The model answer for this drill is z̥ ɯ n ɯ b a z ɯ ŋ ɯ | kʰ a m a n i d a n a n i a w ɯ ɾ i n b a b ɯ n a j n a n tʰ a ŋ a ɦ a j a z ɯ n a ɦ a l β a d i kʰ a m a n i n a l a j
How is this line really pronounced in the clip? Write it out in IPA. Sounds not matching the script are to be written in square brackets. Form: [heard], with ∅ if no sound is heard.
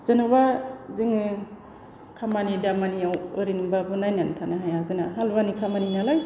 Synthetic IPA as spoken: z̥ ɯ n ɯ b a z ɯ ŋ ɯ | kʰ a m a n i d a [m] a n i a w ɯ ɾ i n b a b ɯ n a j n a n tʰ a [n] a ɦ a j a z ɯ n a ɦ a l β a [n] i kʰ a m a n i n a l a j